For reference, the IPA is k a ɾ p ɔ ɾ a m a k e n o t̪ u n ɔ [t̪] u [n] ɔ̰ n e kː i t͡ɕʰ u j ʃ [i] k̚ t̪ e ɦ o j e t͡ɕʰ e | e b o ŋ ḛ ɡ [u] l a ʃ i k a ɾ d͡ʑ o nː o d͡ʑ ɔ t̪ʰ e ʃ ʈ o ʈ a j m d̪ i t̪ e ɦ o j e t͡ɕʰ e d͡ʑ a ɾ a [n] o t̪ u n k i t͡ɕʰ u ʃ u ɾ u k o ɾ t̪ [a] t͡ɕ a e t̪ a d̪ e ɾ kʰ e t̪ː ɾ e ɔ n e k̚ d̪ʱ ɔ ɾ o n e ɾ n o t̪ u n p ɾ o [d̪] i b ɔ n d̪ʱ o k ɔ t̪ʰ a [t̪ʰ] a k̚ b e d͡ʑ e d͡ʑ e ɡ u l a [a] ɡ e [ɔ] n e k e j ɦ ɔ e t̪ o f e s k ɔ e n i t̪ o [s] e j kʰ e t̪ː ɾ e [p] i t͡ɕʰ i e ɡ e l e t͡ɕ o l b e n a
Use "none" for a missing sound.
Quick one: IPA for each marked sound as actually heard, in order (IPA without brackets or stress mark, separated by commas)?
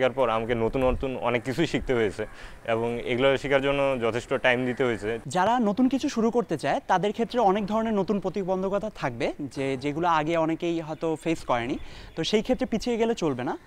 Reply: t̪, n, i, u, n, e, t̪, t̪ʰ, a, ɔ, ʃ, p